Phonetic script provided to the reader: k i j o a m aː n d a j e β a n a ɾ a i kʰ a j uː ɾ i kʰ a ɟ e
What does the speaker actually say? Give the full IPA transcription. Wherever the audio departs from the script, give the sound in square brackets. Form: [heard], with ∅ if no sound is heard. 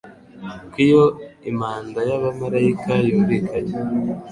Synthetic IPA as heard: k i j o [i] m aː n d a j [a] β a [m] a ɾ a i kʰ a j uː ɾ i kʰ a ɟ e